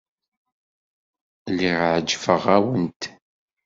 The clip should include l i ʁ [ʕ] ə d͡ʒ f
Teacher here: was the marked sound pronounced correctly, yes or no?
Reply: yes